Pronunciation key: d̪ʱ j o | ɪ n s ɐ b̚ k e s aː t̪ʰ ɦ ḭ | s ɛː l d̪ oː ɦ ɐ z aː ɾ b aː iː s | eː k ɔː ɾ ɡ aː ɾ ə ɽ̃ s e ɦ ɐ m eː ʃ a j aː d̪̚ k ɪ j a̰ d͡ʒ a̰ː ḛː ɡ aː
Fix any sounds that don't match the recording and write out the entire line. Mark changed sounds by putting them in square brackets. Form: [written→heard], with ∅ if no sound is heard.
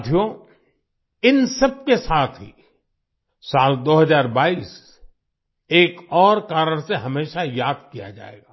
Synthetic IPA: d̪ʱ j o | ɪ n s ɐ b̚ k e s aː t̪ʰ ɦ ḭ | s [ɛː→aː] l d̪ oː ɦ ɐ z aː ɾ b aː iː s | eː k ɔː ɾ [ɡ→k] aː ɾ ə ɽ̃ s e ɦ ɐ m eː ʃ a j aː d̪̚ k [ɪ→i] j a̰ d͡ʒ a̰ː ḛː ɡ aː

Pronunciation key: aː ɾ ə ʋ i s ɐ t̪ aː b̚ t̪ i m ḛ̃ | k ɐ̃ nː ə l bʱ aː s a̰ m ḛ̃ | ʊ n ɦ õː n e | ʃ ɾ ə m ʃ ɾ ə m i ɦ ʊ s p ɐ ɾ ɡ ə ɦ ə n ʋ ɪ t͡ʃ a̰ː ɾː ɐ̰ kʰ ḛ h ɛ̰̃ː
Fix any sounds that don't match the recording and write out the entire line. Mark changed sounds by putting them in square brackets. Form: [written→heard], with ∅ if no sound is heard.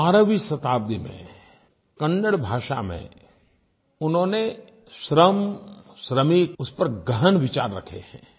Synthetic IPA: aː ɾ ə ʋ i s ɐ t̪ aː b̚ [t̪→d̪] i m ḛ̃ | k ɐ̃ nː ə [l→ɽ] bʱ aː [s→ʃ] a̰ m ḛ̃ | ʊ n ɦ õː n e | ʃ ɾ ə m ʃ ɾ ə m i [ɦ→∅] ʊ s p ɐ ɾ ɡ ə ɦ ə n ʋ ɪ t͡ʃ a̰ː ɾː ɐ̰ kʰ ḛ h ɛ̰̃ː

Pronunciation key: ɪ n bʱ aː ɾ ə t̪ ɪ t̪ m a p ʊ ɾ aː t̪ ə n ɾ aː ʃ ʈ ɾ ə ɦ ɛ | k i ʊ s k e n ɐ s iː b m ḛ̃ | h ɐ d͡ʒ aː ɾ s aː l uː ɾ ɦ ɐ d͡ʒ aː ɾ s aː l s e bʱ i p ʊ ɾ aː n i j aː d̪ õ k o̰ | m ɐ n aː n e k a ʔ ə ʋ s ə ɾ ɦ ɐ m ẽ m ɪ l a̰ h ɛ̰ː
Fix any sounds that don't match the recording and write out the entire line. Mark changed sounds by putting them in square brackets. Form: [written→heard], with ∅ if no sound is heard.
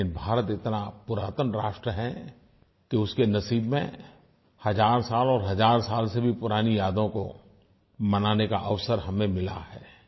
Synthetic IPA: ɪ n bʱ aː ɾ ə t̪ ɪ t̪ [m→n] a p ʊ ɾ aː t̪ ə n ɾ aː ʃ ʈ ɾ ə ɦ ɛ | k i ʊ s k e n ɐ s iː b m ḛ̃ | h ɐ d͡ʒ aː ɾ s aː l [uː→ɔː] ɾ ɦ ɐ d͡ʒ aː ɾ s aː l s e bʱ i p ʊ ɾ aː n i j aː d̪ õ k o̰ | m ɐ n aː n e k a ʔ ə ʋ s ə ɾ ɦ ɐ m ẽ m ɪ l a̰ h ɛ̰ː

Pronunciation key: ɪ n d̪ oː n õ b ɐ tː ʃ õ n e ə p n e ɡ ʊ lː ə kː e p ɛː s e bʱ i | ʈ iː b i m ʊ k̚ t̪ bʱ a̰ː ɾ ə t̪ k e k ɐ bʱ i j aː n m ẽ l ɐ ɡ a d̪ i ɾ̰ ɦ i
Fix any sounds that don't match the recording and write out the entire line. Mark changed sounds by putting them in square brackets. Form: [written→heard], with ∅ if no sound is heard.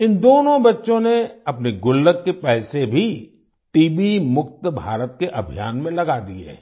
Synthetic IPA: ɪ n d̪ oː n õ b ɐ tː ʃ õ n e [ə→ɐ] p n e ɡ ʊ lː ə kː e p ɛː s e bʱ i | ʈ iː b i m ʊ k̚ t̪ bʱ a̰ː ɾ ə t̪ k e [k→ʔ] ɐ bʱ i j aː n m ẽ l ɐ ɡ a d̪ i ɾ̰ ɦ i

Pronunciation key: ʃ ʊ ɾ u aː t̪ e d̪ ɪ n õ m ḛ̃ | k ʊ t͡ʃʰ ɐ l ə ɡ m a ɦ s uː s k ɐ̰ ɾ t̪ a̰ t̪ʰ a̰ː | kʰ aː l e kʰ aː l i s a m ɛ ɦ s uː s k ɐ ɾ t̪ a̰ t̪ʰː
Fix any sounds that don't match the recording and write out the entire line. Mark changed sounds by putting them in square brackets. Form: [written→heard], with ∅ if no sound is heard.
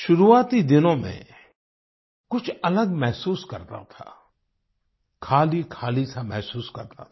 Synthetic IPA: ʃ ʊ ɾ u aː t̪ [e→i] d̪ ɪ n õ m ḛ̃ | k ʊ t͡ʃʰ ɐ l ə ɡ m [a→ɛ] ɦ s uː s k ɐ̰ ɾ t̪ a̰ t̪ʰ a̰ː | kʰ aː l [e→i] kʰ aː l i s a m ɛ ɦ s uː s k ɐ ɾ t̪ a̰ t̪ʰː

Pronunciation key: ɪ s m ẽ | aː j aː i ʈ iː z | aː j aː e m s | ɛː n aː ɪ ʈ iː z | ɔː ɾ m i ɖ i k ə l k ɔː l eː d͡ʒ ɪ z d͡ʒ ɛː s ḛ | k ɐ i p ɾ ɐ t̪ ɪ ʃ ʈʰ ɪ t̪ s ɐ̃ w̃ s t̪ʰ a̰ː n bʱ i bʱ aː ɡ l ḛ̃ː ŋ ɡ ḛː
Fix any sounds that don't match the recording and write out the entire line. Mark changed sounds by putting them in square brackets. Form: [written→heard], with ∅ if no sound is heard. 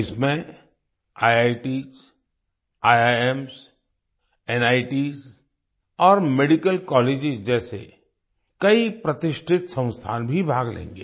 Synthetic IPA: ɪ s m ẽ | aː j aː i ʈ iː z | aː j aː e m s | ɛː n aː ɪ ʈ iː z | ɔː ɾ m [i→e] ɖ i k ə l k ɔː l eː d͡ʒ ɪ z d͡ʒ ɛː s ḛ | k ɐ i p ɾ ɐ t̪ ɪ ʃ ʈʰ ɪ t̪ s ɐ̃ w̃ s t̪ʰ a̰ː n bʱ i bʱ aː ɡ l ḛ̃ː ŋ ɡ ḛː

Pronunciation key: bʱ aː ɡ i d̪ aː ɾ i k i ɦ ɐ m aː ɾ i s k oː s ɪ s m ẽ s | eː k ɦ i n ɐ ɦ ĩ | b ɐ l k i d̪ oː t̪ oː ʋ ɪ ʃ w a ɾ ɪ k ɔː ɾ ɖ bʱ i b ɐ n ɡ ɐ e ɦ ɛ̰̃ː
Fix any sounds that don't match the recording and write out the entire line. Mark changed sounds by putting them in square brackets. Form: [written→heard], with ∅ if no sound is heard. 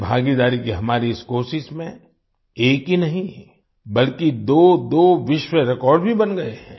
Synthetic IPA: bʱ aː ɡ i d̪ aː ɾ i k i ɦ ɐ m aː ɾ i s k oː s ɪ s m ẽ [s→∅] | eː k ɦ i n ɐ ɦ ĩ | b ɐ l k i d̪ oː [t̪→d̪] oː ʋ ɪ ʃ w [a→ə] ɾ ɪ k ɔː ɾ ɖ bʱ i b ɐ n ɡ ɐ e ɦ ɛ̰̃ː

